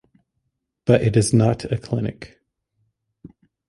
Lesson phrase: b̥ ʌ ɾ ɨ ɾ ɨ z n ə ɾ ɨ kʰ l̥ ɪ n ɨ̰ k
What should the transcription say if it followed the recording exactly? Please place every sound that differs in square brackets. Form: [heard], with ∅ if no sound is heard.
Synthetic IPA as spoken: b̥ ʌ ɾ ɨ ɾ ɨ z n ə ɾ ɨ kʰ l̥ ɪ n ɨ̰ k